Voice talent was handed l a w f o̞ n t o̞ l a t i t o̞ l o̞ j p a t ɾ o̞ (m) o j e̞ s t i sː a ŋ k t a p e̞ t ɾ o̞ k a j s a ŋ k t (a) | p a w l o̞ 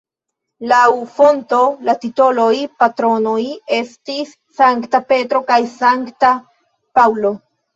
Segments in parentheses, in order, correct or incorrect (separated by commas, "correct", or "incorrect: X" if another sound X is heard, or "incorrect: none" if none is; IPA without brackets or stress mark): incorrect: n, correct